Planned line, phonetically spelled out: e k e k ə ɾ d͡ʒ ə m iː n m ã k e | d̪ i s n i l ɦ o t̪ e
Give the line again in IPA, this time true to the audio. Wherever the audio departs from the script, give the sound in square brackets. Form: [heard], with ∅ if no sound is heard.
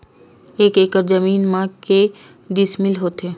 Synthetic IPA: e k e k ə ɾ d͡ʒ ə m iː n m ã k e | d̪ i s [m] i l ɦ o t̪ e